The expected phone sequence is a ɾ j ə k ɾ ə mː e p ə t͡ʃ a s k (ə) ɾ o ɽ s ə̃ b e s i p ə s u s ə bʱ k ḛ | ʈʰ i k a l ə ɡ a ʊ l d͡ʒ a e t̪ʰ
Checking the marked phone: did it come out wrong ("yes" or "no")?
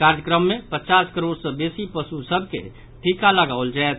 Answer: no